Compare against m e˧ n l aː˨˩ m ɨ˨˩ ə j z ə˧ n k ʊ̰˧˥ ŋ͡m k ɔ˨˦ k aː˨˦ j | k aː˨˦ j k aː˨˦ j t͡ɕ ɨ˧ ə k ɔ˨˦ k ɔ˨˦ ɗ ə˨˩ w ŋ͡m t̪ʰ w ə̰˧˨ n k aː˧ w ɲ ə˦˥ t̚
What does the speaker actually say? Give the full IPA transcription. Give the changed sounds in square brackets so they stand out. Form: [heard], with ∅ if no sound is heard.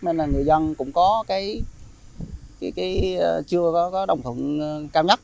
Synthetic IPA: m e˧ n l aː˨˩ [ŋ] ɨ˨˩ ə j z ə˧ n k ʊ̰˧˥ ŋ͡m k ɔ˨˦ k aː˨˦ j | k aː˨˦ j k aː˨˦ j t͡ɕ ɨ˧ ə k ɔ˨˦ k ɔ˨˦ ɗ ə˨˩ w ŋ͡m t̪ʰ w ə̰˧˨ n k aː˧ w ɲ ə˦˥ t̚